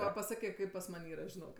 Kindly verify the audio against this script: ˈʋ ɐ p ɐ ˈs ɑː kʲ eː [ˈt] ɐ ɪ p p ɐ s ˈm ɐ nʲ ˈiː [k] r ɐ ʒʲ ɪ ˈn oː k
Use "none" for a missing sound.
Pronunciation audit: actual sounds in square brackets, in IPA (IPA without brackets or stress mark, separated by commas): k, none